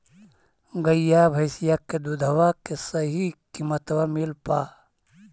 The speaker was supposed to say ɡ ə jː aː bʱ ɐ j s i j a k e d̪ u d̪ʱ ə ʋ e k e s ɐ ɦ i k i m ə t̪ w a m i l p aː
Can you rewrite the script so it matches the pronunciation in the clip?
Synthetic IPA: ɡ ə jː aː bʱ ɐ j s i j a k e d̪ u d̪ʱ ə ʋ a k e s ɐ ɦ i k i m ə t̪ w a m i l p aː